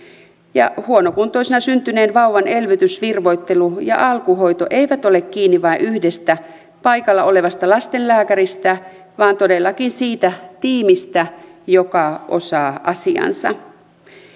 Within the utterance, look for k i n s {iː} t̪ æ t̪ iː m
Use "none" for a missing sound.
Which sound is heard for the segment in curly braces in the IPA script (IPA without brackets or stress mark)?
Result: iː